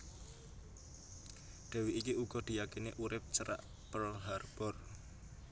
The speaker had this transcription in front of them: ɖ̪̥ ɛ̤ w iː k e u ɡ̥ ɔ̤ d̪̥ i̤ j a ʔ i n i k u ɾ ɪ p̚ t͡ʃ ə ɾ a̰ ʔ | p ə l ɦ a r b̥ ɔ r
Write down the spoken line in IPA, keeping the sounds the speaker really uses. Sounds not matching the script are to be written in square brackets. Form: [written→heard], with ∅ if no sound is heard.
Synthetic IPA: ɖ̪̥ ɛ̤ w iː k [e→i] u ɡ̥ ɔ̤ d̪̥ i̤ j a [ʔ→k] i n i [k→ʔ] u ɾ ɪ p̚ t͡ʃ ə ɾ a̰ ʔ | p ə l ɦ a r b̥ ɔ r